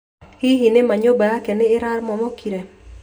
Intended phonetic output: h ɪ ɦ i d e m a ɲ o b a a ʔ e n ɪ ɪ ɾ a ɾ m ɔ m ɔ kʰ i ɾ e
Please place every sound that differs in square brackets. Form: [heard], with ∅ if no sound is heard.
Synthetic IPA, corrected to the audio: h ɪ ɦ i [n] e m a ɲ o b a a [k] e n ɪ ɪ ɾ a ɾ m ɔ m ɔ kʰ i ɾ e